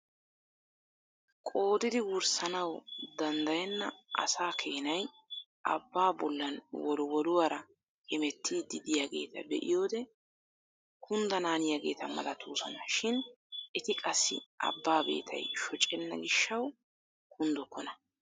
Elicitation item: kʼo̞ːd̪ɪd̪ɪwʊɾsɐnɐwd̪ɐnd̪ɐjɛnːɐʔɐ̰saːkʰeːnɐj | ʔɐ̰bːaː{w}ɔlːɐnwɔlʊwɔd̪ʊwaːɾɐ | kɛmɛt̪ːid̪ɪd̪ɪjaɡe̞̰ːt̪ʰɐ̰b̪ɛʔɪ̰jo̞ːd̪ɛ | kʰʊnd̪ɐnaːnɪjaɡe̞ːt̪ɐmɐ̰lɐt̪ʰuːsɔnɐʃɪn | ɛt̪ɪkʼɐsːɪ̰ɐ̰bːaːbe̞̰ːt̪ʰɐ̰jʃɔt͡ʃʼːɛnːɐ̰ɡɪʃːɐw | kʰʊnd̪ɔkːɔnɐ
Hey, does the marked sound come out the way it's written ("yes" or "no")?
no